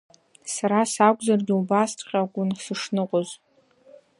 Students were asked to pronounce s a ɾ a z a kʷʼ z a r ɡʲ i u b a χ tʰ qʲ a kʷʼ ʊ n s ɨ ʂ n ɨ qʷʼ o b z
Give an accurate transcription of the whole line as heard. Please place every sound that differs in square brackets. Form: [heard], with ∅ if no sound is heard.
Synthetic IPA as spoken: s a ɾ a [s] a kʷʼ z a r ɡʲ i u b a [s] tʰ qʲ a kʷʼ ʊ n s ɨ ʂ n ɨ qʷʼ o [∅] z